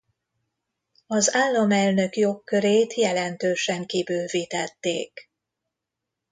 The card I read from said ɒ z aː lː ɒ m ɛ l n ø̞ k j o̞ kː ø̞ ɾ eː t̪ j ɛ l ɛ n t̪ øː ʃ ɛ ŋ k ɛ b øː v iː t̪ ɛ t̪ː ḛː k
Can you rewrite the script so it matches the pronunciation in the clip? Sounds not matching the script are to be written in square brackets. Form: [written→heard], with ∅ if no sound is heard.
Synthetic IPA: ɒ z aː lː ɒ m ɛ l n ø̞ k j o̞ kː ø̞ ɾ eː t̪ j ɛ l ɛ n t̪ øː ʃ ɛ ŋ k [ɛ→i] b øː v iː t̪ ɛ t̪ː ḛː k